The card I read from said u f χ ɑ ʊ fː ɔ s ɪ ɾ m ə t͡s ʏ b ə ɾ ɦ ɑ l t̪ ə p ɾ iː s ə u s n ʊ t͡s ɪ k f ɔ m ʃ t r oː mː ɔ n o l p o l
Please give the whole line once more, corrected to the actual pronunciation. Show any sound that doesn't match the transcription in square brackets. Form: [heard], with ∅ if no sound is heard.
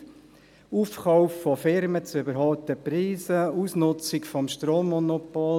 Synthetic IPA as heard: u f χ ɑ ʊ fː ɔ [f] ɪ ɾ m ə t͡s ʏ b ə ɾ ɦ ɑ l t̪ ə p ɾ iː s ə u s n ʊ t͡s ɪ k f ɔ m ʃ t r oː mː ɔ n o [∅] p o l